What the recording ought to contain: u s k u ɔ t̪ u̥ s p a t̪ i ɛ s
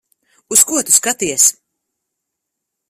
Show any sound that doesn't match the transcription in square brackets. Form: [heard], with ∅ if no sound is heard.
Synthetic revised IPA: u s k u ɔ t̪ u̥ s [k] a t̪ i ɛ s